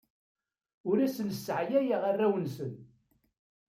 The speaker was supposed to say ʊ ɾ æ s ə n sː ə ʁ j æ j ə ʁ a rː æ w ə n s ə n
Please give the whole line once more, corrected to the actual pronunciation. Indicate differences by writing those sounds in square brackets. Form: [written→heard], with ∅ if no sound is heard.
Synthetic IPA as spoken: ʊ ɾ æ s ə n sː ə [ʁ→ʕ] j æ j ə ʁ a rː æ w ə n s ə n